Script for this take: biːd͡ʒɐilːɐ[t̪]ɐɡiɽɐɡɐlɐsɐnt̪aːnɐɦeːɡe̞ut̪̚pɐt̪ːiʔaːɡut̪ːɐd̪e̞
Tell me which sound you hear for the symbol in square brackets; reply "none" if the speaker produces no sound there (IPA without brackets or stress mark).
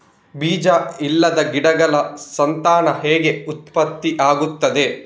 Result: d̪